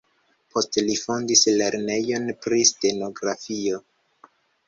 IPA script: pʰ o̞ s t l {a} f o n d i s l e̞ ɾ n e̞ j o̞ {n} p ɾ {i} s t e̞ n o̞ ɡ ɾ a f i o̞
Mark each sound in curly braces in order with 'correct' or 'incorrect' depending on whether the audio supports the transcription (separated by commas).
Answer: incorrect, correct, correct